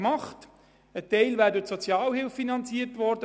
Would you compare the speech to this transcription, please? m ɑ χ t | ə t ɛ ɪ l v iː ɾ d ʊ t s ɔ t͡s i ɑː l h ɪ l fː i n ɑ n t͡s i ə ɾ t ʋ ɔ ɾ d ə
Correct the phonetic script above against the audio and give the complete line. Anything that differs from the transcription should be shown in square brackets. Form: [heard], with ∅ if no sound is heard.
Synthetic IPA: m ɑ χ t | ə t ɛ ɪ l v [æː] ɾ d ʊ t s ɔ t͡s [j] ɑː l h ɪ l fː i n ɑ n t͡s i ə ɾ t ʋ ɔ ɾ d ə